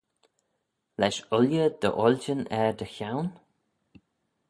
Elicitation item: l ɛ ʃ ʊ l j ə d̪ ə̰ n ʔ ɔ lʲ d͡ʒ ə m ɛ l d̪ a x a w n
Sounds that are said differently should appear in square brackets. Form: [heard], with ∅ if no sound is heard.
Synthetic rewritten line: l ɛ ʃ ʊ l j ə d̪ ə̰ [∅] ʔ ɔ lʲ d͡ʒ ə [n] ɛ [ɹ] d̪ [ə] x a w n